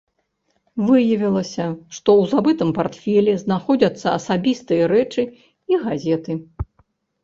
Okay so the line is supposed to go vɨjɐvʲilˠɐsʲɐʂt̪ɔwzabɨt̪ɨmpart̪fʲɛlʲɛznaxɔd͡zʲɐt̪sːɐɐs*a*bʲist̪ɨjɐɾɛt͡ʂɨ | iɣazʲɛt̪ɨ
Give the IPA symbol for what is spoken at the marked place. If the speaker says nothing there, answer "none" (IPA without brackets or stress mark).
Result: a